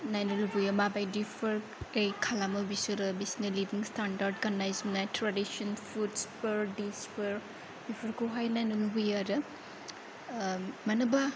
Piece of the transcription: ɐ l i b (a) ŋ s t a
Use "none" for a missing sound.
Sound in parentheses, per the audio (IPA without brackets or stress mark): i